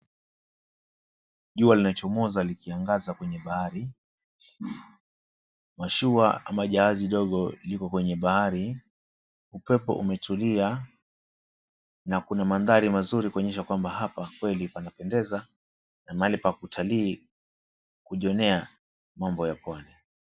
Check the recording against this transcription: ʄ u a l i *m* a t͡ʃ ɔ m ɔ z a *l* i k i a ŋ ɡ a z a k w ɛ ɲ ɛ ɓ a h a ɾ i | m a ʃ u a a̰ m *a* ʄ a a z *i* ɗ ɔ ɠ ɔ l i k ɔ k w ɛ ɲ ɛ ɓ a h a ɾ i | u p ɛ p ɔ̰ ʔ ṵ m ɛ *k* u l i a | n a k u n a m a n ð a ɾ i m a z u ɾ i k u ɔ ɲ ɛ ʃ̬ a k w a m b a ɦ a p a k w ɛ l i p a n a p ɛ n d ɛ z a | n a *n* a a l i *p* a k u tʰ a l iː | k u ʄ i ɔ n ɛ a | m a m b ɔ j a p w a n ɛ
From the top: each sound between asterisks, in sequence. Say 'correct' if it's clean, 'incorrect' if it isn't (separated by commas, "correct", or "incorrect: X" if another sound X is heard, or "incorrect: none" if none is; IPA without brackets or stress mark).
incorrect: n, correct, correct, correct, incorrect: t, incorrect: m, correct